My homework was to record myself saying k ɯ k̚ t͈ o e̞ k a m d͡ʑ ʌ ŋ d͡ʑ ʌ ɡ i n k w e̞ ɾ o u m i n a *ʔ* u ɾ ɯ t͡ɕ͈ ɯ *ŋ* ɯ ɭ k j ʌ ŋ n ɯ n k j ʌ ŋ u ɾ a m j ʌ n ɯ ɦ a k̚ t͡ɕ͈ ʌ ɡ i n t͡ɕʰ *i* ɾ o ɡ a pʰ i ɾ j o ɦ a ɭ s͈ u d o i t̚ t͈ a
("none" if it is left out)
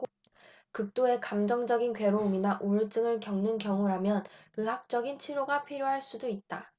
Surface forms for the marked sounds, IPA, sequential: ʔ, ŋ, i

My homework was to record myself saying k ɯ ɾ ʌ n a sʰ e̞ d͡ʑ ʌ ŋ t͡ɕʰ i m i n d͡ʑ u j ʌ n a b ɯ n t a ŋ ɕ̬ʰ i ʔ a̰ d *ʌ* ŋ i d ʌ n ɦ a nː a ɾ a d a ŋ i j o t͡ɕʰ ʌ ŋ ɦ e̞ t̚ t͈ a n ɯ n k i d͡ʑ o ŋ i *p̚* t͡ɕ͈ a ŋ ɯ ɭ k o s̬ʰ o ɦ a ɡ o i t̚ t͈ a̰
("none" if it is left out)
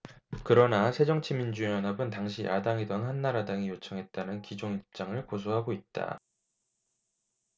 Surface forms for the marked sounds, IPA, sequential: a, p̚

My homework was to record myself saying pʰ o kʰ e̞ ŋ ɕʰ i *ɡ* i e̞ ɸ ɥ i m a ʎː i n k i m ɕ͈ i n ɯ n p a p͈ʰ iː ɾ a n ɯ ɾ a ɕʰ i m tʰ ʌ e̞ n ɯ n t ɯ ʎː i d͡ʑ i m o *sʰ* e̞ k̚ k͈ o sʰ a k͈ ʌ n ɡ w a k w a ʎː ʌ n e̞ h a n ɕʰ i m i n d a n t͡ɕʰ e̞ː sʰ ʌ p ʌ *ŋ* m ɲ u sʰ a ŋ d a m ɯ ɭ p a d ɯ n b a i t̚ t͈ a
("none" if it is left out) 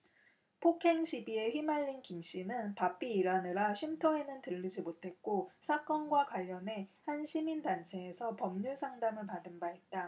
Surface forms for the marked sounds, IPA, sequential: b, tʰ, none

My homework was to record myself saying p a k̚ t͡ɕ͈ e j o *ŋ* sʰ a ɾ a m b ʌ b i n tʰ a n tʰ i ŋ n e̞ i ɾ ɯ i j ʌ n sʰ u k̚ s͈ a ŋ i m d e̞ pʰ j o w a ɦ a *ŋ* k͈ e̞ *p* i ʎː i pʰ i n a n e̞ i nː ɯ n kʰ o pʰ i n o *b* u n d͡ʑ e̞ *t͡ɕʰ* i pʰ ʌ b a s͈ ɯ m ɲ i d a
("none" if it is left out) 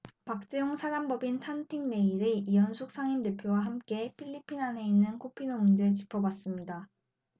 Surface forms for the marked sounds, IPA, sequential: ŋ, m, pʰ, m, t͡ɕ

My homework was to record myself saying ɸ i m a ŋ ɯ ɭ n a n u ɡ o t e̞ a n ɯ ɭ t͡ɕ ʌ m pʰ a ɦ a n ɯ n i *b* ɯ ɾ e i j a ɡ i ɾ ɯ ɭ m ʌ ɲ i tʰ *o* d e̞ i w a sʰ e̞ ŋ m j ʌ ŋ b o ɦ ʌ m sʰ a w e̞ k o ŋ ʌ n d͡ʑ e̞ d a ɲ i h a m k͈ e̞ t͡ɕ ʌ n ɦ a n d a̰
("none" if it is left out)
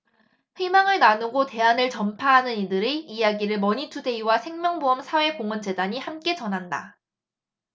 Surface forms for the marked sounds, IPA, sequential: d, u

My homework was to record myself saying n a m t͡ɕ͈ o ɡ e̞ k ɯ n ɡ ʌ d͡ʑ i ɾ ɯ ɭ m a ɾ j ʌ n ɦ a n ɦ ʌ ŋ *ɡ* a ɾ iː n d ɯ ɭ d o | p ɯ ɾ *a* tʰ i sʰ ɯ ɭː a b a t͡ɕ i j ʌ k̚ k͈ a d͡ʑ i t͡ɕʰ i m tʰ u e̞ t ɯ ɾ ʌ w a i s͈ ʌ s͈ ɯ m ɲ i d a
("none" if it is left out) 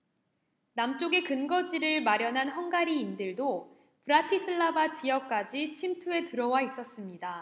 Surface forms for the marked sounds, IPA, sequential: ɡ, a

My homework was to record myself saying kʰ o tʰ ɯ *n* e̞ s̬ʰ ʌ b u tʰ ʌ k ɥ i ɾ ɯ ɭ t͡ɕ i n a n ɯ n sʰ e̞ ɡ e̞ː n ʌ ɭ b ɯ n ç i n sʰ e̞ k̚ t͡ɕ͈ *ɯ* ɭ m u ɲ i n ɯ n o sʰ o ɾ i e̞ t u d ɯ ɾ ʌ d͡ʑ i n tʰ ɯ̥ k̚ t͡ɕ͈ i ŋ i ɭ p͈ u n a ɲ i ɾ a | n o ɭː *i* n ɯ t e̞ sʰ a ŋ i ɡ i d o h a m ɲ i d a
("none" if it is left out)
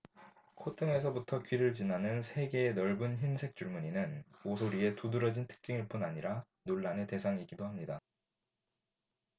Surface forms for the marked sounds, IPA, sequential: ŋ, u, a

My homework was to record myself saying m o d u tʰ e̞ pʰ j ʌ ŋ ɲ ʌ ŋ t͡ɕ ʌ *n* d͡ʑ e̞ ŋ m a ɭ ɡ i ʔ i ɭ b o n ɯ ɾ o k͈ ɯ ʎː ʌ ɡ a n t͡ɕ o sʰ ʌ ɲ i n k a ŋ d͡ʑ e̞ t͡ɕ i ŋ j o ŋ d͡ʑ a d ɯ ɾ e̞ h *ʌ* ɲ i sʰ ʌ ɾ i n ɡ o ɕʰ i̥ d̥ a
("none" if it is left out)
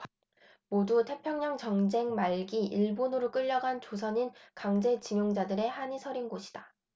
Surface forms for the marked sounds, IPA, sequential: ŋ, a

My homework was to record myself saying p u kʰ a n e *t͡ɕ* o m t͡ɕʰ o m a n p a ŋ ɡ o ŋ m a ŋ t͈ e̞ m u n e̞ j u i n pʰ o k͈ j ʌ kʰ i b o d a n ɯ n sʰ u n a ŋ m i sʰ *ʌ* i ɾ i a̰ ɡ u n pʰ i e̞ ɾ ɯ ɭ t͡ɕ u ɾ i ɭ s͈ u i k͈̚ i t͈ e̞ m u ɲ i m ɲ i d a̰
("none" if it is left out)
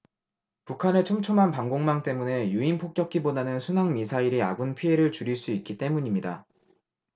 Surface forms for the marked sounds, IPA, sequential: t͡ɕʰ, a

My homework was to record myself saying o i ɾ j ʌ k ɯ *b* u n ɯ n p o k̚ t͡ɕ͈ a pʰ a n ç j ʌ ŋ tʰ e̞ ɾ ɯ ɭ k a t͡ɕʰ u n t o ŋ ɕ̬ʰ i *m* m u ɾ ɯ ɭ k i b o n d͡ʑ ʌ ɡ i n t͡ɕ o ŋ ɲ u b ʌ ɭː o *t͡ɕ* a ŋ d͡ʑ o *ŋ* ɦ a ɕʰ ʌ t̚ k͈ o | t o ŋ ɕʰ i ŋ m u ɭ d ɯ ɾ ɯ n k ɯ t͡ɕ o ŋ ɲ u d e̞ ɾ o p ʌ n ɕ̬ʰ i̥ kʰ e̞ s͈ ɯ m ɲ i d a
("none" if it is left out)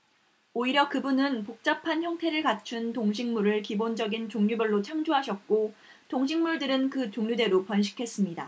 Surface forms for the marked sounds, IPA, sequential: b, ŋ, t͡ɕʰ, none

